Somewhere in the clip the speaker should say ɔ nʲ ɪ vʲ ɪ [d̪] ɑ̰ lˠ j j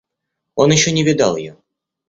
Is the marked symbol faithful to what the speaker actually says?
yes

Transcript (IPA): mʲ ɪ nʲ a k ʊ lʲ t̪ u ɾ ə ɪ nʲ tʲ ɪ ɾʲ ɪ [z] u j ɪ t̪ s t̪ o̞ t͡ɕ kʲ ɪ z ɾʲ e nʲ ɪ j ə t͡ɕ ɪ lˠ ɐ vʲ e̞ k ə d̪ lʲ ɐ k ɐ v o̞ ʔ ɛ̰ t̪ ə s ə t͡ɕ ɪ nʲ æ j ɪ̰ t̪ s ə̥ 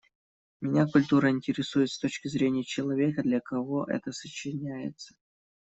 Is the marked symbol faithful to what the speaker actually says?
no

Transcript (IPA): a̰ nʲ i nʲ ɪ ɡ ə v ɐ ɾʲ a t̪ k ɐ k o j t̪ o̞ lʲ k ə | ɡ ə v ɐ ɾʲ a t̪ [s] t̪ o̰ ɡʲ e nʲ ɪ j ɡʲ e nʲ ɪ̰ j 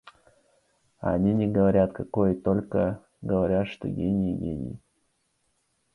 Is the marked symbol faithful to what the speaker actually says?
no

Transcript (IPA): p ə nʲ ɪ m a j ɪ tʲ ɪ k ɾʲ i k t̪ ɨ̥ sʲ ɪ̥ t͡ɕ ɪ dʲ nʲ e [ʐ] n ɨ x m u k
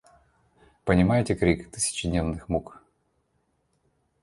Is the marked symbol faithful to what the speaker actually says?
no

